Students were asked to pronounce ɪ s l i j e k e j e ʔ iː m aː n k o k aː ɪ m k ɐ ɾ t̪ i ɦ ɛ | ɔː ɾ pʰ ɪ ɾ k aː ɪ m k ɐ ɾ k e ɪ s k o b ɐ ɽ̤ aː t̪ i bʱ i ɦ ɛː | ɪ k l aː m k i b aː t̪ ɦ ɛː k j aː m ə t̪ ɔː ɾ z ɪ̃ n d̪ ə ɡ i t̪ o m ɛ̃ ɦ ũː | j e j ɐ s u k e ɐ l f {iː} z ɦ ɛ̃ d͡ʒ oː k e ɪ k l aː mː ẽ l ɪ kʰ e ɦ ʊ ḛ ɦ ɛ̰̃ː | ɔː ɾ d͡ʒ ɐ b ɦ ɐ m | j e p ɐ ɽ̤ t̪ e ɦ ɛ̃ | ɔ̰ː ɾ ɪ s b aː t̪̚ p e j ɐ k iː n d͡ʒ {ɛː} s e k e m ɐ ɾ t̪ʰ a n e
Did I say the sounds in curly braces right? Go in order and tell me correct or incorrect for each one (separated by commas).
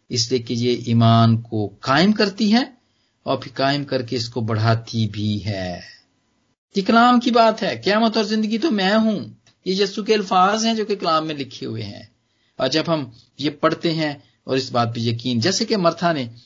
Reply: incorrect, correct